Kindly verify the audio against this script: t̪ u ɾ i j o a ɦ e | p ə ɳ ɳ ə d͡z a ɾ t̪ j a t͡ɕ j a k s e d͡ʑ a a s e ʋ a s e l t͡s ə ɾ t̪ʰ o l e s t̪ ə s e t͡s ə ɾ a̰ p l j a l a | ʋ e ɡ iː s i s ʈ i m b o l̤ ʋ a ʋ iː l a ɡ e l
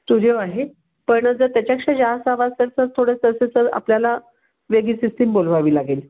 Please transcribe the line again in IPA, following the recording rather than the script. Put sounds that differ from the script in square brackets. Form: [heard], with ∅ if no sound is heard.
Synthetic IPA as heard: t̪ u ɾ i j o a ɦ e | p ə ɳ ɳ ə d͡z [ə] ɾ t̪ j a t͡ɕ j a k [ʂ] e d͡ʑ a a s [a] ʋ a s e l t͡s ə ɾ t̪ʰ o [ɽ] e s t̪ ə s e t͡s ə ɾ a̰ p l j a l a | ʋ e ɡ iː s i s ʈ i m b o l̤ ʋ a ʋ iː l a ɡ e l